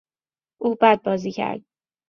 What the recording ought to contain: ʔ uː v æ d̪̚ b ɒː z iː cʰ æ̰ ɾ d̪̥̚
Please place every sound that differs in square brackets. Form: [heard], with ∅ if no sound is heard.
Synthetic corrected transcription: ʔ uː [b] æ d̪̚ b ɒː z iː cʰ æ̰ ɾ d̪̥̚